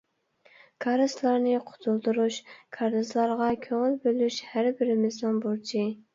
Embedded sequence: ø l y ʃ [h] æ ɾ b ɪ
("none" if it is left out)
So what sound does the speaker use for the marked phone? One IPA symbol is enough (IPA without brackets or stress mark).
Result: h